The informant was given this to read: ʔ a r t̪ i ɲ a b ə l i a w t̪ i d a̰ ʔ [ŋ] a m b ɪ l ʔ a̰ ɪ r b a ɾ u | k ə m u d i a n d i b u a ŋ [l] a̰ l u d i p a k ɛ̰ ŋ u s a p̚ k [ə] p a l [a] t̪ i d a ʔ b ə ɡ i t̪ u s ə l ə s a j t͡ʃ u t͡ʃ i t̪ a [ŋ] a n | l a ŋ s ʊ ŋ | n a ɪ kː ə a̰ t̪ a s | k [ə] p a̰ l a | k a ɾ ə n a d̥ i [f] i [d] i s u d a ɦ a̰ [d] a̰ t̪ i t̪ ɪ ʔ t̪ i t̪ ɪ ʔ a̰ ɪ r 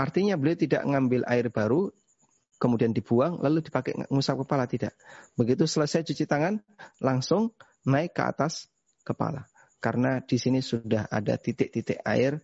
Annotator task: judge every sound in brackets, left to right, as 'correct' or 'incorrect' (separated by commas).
correct, correct, correct, correct, correct, correct, incorrect, incorrect, correct